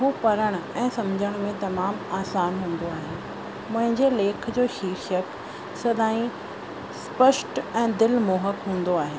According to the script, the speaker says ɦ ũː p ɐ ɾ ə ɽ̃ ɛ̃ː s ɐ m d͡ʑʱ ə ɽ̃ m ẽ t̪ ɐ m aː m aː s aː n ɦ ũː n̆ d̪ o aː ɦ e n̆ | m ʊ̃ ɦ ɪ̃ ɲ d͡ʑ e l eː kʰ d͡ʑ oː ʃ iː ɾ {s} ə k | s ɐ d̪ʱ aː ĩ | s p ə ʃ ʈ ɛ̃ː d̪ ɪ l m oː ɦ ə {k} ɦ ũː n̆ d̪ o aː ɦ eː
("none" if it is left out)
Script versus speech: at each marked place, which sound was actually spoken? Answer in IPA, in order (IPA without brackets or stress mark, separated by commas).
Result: ʃ, k